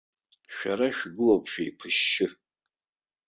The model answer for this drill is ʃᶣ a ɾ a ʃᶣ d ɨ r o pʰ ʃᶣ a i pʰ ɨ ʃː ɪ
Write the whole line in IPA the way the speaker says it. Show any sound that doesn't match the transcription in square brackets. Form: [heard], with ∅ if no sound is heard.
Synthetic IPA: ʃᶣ a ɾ a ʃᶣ [ɡ] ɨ [l] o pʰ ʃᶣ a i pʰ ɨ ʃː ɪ